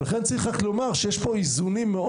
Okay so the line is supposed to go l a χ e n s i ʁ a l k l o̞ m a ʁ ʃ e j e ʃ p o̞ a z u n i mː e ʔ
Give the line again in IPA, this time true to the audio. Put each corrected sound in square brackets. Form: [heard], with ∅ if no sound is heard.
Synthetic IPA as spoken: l a χ e n [t͡s] i [χ] a [∅] k l o̞ m a ʁ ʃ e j e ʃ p o̞ [i] z u n i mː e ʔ

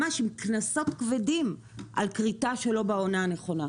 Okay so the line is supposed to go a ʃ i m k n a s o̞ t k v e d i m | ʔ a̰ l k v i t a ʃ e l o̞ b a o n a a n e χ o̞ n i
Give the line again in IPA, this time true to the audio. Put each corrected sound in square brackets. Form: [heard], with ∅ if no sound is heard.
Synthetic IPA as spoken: a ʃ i m k n a s o̞ t k v e d i m | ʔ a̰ l k [ʁ] i t a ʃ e l o̞ b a o n a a n e χ o̞ n [a]

